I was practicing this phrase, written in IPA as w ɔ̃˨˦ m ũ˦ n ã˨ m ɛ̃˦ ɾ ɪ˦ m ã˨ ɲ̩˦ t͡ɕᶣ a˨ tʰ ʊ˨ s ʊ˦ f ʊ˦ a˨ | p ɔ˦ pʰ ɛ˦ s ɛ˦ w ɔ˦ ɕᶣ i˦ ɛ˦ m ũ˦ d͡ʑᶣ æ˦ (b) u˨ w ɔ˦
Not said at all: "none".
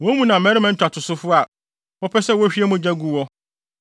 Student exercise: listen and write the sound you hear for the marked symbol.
ɡ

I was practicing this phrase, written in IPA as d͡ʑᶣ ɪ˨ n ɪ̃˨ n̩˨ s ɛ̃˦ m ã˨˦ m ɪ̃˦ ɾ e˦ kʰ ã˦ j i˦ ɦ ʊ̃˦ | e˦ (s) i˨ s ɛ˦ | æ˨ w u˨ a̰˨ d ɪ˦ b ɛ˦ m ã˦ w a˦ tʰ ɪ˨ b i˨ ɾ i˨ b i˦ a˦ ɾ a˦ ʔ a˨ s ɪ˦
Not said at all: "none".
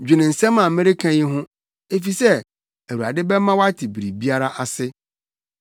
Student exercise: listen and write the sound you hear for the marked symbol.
f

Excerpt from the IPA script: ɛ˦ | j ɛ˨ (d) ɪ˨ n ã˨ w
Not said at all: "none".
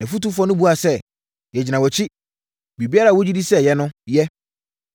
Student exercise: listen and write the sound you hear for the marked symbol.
d͡ʑ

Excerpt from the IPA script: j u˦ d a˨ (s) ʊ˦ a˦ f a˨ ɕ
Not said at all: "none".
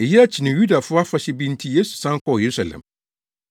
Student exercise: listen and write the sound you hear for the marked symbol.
f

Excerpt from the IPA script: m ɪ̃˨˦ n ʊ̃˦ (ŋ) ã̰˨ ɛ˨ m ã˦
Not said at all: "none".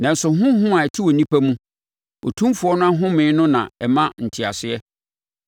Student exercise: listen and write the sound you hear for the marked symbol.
n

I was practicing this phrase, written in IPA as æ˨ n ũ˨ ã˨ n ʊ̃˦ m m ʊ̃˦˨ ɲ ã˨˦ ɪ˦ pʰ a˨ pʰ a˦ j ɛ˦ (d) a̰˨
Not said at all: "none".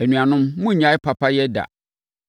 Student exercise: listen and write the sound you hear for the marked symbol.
d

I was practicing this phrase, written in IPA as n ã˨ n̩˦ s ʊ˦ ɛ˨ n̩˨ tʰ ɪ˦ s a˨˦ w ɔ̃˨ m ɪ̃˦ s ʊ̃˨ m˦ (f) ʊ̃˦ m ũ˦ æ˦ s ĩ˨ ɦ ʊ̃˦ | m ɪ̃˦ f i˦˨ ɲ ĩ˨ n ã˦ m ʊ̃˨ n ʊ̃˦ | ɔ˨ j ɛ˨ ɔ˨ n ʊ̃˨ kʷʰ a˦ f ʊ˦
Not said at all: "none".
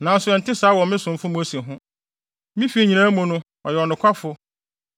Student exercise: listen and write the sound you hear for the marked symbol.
f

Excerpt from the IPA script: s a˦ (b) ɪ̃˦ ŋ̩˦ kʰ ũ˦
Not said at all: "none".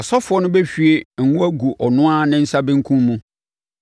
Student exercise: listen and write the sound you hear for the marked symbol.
b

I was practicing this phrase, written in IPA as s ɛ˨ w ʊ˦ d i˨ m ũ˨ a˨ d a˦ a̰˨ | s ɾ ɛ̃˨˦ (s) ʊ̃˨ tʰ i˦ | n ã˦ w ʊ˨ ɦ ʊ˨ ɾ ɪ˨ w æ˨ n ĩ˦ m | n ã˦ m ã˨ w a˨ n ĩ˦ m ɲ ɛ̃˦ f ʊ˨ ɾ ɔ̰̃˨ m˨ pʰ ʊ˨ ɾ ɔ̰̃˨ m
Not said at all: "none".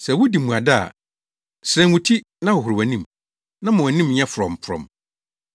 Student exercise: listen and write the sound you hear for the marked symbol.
none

